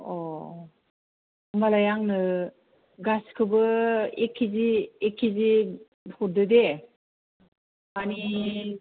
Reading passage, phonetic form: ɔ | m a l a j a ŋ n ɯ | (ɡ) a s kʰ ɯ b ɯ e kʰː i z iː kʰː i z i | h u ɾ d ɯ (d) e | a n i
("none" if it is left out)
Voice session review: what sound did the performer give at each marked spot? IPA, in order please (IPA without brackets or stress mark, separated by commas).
ɡ, d